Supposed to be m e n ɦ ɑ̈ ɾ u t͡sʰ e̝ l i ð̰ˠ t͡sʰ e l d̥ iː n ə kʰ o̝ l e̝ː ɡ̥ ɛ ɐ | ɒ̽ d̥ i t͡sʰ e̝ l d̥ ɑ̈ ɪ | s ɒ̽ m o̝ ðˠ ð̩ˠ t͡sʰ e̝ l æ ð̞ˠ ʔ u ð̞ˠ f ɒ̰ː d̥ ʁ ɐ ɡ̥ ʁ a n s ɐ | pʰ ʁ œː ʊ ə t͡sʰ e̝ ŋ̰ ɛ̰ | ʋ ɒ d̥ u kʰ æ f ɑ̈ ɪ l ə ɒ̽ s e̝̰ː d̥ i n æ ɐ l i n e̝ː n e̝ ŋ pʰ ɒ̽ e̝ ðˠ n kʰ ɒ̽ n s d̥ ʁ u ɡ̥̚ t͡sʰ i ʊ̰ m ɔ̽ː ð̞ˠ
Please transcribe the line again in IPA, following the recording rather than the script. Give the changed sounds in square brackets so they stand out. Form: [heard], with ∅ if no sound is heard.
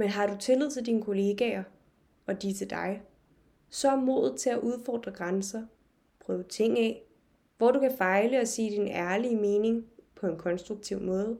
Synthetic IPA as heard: m e n ɦ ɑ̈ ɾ u t͡sʰ e̝ l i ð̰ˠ t͡sʰ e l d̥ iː n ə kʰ o̝ l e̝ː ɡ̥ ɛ ɐ | ɒ̽ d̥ i t͡sʰ e̝ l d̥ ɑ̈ ɪ | s ɒ̽ m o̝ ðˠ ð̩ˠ t͡sʰ e̝ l æ [∅] ʔ u ð̞ˠ f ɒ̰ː d̥ ʁ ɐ ɡ̥ ʁ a n s ɐ | pʰ ʁ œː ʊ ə t͡sʰ e̝ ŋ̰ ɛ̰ | ʋ ɒ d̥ u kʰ æ f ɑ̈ ɪ l ə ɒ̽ s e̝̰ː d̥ i n æ ɐ l i [m] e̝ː n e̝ ŋ pʰ ɒ̽ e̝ [∅] n kʰ ɒ̽ n s d̥ ʁ u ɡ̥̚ t͡sʰ i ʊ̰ m ɔ̽ː ð̞ˠ